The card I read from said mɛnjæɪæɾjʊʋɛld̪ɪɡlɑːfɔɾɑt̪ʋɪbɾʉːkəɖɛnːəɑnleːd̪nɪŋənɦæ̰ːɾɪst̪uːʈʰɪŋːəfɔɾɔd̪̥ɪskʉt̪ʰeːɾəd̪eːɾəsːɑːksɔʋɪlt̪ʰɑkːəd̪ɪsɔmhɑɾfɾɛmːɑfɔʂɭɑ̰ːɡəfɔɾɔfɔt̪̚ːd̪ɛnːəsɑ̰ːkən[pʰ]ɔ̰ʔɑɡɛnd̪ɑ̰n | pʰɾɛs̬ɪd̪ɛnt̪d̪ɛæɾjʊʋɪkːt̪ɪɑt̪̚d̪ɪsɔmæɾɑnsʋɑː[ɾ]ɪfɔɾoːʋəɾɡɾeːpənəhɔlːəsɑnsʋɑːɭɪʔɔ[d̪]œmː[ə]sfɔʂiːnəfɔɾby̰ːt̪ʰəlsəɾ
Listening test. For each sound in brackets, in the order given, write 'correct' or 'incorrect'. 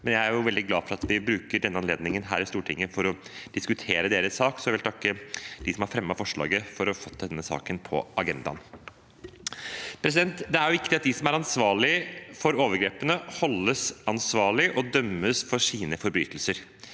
correct, incorrect: ɭ, correct, correct

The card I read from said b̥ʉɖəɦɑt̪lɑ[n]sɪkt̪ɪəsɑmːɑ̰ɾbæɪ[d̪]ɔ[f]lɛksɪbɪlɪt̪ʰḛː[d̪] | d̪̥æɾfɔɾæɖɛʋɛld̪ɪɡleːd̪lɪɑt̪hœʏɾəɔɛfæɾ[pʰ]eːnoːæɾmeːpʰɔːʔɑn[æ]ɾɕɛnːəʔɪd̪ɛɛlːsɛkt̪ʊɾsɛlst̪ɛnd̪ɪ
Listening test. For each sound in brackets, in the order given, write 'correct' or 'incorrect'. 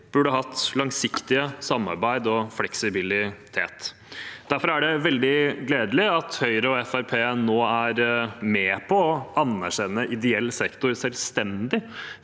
incorrect: ŋ, correct, correct, incorrect: t̪, correct, correct

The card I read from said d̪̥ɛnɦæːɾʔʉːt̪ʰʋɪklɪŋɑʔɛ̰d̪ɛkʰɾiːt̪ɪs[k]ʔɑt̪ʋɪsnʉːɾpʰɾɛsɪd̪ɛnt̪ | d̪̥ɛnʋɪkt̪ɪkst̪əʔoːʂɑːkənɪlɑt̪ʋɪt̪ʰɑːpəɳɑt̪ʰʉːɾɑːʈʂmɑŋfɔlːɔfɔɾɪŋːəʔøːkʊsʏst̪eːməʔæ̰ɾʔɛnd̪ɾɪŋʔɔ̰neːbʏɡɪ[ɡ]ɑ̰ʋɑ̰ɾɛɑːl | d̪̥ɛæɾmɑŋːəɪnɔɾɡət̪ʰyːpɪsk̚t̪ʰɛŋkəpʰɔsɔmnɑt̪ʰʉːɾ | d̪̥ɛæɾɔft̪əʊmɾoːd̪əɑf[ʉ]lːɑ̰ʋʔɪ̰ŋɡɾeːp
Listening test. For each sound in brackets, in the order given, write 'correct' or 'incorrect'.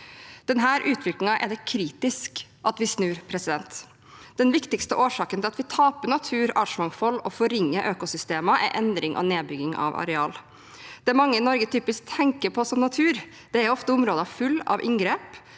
correct, incorrect: ŋ, correct

